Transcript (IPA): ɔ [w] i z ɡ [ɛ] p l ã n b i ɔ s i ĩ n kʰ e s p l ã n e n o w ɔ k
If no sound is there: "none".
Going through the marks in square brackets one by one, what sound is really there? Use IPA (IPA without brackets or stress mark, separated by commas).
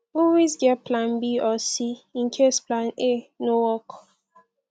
w, ɛ